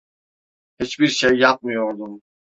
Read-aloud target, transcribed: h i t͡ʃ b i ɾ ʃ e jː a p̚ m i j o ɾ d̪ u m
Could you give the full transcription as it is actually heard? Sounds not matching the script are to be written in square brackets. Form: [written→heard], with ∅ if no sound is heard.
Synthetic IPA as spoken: h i t͡ʃ b i ɾ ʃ e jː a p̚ m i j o ɾ d̪ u m